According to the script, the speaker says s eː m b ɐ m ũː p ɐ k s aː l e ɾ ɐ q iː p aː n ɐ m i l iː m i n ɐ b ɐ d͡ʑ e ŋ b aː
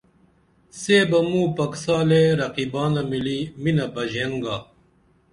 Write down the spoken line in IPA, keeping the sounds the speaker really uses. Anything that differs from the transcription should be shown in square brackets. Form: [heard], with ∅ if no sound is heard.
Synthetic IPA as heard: s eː [∅] b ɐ m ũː p ɐ k s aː l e ɾ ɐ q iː [b] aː n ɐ m i l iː m i n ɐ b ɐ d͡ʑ e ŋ [ɡ] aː